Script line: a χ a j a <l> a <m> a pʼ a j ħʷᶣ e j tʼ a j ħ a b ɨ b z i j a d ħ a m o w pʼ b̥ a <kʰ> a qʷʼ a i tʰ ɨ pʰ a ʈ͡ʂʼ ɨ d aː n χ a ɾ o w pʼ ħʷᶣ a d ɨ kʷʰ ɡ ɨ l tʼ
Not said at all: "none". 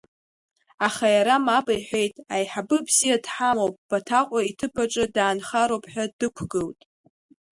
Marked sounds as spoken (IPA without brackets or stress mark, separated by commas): ɾ, m, tʰ